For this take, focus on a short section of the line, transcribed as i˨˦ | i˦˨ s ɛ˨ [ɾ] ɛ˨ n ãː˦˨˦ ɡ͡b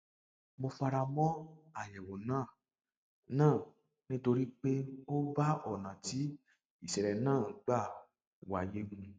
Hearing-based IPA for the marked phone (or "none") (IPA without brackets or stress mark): ɾ